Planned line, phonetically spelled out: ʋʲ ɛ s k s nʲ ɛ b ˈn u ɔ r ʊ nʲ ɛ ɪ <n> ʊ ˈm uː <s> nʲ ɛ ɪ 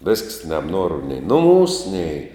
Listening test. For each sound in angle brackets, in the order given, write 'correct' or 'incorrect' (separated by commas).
correct, correct